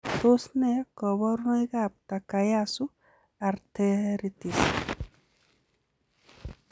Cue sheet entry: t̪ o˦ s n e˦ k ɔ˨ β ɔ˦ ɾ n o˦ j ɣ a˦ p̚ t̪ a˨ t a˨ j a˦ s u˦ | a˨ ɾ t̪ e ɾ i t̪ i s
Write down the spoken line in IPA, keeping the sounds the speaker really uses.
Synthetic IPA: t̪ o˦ s n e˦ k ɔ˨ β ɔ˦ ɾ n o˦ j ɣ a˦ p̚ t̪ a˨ k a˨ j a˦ s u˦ | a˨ ɾ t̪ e ɾ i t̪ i s